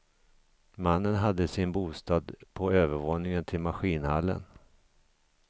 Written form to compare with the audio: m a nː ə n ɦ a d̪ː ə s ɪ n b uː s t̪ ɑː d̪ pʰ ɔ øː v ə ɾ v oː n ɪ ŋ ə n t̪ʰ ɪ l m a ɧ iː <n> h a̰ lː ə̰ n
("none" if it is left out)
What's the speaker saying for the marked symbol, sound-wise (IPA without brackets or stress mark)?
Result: n